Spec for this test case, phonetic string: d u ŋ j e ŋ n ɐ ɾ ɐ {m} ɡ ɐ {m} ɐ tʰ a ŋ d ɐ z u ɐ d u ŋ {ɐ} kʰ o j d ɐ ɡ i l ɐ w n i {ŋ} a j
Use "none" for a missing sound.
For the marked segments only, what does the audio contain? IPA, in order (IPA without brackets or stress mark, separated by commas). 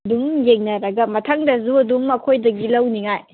none, m, ɐ, ŋ